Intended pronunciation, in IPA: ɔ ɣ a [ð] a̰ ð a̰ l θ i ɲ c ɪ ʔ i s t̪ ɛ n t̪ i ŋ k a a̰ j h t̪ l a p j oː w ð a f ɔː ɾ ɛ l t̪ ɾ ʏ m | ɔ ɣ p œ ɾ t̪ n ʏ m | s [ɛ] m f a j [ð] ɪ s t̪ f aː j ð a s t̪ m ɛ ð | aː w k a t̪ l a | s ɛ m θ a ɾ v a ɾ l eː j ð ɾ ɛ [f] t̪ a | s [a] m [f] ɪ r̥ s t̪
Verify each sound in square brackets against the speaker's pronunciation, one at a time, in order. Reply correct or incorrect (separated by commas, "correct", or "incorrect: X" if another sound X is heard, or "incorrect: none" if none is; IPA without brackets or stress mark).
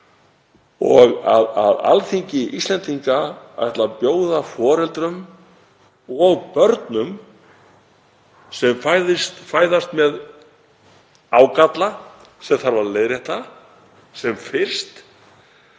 correct, correct, correct, incorrect: h, incorrect: ɛ, correct